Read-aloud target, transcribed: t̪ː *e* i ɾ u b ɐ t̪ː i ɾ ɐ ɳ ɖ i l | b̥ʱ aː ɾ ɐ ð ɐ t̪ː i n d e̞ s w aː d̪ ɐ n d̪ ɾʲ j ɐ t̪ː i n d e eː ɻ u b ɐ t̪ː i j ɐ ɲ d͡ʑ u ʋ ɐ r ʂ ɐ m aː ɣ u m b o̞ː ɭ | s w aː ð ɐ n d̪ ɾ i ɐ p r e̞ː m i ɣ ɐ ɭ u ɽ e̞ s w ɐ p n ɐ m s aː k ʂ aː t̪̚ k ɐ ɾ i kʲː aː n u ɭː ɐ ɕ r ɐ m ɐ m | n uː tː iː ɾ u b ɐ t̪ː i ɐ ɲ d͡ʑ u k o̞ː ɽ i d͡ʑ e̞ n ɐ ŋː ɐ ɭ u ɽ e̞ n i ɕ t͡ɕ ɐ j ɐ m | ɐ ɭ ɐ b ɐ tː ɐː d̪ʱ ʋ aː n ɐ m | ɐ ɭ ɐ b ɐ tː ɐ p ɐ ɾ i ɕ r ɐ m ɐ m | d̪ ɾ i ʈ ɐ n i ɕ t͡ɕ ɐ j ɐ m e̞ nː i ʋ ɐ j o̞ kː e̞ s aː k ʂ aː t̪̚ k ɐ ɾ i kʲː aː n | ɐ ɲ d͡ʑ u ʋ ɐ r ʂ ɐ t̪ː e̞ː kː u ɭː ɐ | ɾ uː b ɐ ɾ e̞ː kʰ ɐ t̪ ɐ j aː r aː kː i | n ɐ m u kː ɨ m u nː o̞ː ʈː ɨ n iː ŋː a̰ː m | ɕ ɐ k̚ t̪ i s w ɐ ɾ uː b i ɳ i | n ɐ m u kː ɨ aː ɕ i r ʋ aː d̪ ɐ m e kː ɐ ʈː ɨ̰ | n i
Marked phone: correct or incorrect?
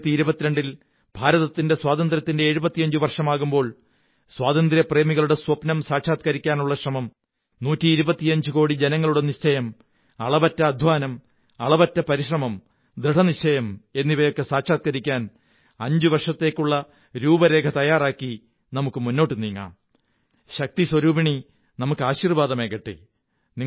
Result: incorrect